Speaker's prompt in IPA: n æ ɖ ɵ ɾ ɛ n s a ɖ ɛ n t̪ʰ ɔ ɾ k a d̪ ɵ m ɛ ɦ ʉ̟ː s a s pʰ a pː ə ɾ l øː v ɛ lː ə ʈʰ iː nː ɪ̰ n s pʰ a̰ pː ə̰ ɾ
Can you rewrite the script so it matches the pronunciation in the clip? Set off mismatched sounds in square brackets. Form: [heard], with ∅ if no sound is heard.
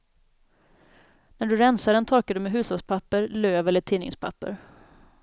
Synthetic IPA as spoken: n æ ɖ ɵ ɾ ɛ n s a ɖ ɛ n t̪ʰ ɔ ɾ k a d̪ ɵ m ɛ ɦ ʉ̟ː s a s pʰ a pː ə ɾ l øː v ɛ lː ə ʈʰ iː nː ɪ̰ [ŋ] s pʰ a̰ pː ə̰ ɾ

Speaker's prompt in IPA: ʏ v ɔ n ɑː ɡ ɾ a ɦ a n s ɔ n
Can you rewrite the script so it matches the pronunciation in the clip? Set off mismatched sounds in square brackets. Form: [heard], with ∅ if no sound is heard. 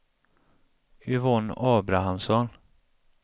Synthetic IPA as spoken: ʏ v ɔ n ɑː [b] ɾ a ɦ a [m] s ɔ n

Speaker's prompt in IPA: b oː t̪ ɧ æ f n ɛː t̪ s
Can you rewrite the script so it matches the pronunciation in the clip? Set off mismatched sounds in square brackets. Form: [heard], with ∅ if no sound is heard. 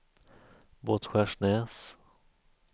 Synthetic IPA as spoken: b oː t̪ ɧ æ [ʂ] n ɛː [∅] s

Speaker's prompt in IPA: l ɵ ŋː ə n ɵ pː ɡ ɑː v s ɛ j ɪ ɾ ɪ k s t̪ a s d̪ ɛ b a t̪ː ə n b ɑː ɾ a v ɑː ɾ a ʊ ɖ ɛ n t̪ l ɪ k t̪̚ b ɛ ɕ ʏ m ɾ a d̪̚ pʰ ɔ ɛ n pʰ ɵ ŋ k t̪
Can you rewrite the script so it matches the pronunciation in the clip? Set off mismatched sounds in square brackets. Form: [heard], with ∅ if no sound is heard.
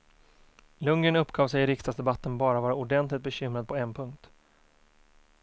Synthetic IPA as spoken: l ɵ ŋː ə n ɵ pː ɡ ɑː v s ɛ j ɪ ɾ ɪ k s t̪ a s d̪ ɛ b a t̪ː ə n b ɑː ɾ a v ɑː ɾ a ʊ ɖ ɛ n t̪ l ɪ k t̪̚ b ɛ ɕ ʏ m ɾ a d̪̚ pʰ ɔ ɛ n pʰ ɵ ŋ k t̪

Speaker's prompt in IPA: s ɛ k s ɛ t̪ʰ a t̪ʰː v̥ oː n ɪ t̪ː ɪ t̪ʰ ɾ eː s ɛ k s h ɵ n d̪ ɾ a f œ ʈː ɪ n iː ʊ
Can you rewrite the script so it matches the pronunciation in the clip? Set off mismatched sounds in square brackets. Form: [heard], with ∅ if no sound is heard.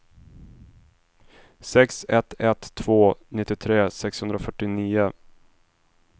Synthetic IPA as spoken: s ɛ k s ɛ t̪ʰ [ɛ] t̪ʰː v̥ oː n ɪ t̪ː ɪ t̪ʰ ɾ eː s ɛ k s h ɵ n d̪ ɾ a f œ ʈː ɪ n iː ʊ

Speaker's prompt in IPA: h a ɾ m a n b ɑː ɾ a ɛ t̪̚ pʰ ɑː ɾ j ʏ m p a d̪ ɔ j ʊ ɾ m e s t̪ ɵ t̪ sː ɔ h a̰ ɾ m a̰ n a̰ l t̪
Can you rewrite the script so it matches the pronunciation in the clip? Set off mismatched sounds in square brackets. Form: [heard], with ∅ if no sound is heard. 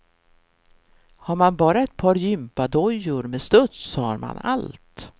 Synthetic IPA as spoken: h a ɾ m a n b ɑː ɾ a ɛ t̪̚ pʰ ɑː ɾ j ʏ m p a d̪ ɔ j ʊ ɾ m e s t̪ ɵ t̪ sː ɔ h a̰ ɾ m a̰ n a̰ l t̪

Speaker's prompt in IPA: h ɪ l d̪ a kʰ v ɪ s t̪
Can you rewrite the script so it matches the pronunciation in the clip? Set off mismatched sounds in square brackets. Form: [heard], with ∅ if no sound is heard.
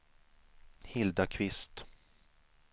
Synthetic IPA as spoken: h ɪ l d̪ a kʰ v ɪ s t̪

